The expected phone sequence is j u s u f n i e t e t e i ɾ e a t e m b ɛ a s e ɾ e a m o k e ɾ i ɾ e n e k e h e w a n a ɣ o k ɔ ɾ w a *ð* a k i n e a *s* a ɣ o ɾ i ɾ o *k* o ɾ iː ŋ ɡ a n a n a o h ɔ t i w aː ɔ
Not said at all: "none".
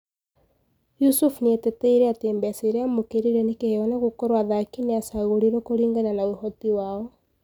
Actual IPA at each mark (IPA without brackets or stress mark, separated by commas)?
ð, s, k